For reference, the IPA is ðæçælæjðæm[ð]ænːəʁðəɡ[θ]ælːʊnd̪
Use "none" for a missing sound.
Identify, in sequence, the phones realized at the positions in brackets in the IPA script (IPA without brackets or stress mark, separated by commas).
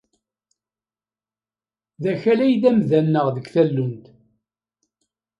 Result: ð, θ